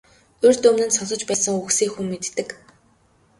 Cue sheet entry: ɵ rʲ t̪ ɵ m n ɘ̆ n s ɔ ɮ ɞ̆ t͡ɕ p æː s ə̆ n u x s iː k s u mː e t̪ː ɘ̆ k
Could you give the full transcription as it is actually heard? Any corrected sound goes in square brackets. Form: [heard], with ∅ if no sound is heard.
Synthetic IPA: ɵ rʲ t̪ ɵ m n ɘ̆ n s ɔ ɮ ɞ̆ t͡ɕ p æː s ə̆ [ŋ] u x s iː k [x] u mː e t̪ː ɘ̆ k

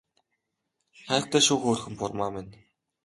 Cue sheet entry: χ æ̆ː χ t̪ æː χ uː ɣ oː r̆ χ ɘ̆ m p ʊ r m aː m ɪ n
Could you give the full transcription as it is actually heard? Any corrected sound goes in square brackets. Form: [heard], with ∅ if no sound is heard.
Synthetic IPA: χ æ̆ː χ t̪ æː [ʃ] uː [x] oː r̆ [x] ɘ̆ m p ʊ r m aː m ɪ n

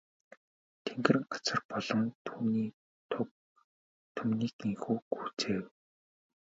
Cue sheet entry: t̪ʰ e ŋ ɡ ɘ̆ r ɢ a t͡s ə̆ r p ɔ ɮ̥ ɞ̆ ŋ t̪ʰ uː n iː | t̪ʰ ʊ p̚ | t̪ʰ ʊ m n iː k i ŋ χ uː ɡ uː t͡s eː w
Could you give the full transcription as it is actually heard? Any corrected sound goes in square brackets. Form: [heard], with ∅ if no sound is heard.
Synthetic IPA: t̪ʰ e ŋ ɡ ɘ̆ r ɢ a t͡s ə̆ r p ɔ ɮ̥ ɞ̆ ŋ t̪ʰ uː n iː | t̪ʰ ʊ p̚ | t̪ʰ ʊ m n iː k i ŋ [x] uː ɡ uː t͡s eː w

